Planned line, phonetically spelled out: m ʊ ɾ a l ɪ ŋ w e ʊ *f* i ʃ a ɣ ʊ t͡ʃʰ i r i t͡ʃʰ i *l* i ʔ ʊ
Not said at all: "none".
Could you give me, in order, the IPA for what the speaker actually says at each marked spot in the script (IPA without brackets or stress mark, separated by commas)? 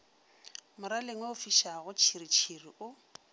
f, r